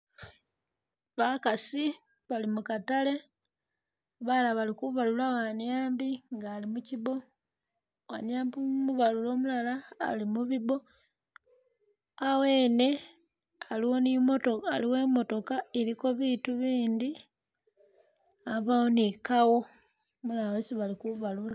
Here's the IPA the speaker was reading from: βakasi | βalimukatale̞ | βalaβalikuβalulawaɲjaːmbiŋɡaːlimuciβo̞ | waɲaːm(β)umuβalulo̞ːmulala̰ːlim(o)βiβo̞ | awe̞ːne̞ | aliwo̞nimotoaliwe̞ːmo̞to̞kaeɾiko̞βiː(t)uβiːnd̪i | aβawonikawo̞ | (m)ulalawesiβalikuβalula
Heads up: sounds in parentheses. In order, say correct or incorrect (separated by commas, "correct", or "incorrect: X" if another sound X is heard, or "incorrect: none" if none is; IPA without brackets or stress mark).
incorrect: b, incorrect: u, correct, correct